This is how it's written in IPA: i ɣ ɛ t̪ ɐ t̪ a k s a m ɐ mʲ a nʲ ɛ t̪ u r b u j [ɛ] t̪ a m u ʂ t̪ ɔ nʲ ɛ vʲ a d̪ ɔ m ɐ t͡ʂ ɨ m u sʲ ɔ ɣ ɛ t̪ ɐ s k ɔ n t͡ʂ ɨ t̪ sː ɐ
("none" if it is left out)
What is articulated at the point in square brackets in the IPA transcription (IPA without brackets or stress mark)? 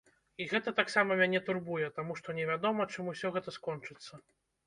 ɛ